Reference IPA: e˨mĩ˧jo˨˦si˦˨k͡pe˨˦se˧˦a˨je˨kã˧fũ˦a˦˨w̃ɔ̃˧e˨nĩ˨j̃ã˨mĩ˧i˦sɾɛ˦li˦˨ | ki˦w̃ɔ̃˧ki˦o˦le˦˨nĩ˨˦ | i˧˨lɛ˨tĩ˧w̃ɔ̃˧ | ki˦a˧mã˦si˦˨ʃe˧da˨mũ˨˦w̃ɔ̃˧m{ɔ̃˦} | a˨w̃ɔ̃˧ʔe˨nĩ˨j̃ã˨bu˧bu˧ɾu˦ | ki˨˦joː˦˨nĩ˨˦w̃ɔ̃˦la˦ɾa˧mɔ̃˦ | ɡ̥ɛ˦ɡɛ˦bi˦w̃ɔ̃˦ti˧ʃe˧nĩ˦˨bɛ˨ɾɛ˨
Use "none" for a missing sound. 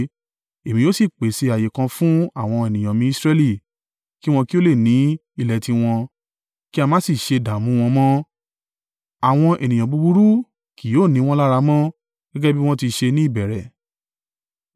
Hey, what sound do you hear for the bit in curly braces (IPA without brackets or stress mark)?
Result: ɔ̃˦